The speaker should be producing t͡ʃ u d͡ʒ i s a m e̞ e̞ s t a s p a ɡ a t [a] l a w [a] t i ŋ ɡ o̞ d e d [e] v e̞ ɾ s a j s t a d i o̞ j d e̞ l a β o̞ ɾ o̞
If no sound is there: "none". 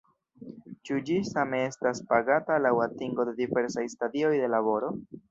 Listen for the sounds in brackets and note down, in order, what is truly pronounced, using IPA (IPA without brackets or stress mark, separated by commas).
a, a, i